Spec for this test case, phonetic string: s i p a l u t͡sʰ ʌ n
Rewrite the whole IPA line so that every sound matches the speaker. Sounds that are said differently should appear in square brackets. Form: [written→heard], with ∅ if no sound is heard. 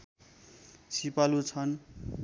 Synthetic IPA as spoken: s i p a l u t͡sʰ ʌ n